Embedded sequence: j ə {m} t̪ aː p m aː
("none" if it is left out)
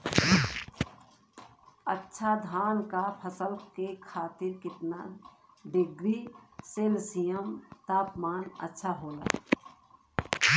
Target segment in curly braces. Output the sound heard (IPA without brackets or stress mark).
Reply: m